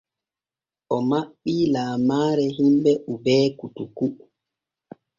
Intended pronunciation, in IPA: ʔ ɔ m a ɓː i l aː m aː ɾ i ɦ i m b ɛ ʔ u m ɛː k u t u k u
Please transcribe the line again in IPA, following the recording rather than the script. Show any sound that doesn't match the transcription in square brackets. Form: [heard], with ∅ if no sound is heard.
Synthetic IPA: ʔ ɔ m a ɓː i l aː m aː ɾ [ɛ] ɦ i m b ɛ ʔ u [b] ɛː k u t u k u